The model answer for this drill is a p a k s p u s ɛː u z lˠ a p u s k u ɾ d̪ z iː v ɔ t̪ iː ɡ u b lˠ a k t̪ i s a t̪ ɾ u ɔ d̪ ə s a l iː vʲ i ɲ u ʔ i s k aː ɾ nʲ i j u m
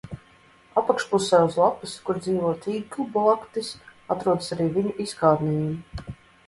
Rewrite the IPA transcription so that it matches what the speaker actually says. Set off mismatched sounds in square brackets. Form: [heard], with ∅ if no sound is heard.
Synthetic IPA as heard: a p a k [ʃ] p u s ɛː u z lˠ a p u s k u ɾ d̪ z iː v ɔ t̪ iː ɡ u b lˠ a k t̪ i s a t̪ ɾ u ɔ d̪ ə s a [ɾ] iː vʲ i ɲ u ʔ i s k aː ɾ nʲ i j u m